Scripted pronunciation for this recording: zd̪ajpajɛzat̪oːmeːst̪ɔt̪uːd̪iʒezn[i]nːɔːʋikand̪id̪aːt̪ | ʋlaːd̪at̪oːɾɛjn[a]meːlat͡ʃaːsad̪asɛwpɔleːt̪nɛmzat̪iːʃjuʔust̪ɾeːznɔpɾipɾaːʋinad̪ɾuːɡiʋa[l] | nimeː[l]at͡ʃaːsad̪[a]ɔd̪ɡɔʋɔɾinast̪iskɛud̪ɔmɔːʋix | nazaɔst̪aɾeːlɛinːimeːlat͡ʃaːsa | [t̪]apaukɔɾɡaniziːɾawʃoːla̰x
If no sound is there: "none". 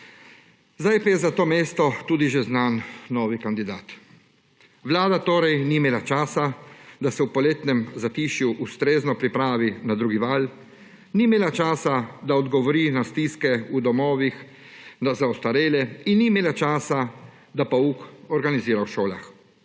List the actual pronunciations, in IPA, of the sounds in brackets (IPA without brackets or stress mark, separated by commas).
a, i, l, l, a, d̪